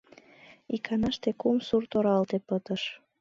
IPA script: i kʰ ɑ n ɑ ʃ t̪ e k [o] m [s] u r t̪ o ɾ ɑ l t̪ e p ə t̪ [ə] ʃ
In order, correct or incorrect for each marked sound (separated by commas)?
incorrect, correct, correct